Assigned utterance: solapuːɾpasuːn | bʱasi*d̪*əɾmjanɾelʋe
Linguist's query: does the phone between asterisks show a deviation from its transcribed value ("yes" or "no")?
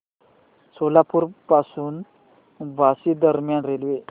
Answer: no